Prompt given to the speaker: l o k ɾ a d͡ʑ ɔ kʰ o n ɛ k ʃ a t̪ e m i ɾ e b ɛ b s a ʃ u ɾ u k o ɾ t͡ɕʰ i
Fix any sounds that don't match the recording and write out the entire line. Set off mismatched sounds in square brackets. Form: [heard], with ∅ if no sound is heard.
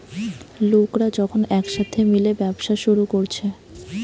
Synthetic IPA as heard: l o k ɾ a d͡ʑ ɔ kʰ o n ɛ k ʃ a [t̪ʰ] e m i [l] e b ɛ b [ʃ] a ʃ u ɾ u k o ɾ t͡ɕʰ [e]